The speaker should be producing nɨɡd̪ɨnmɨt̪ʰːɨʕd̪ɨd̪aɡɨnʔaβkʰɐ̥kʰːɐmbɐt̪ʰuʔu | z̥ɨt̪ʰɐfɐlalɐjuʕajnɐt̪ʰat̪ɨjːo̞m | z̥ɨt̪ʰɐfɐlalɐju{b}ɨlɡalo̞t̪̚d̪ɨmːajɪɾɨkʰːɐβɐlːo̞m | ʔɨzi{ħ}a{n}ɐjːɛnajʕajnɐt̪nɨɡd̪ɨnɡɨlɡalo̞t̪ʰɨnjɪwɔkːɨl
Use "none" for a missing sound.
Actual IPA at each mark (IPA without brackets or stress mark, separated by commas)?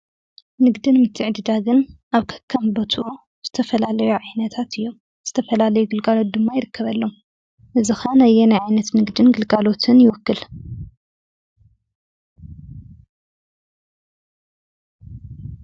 ɡ, x, n